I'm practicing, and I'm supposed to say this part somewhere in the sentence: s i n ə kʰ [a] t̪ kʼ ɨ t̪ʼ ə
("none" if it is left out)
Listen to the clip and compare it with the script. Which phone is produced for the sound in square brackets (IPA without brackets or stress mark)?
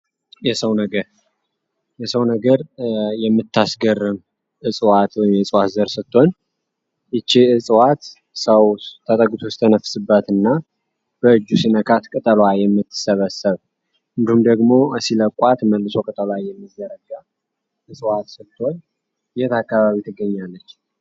a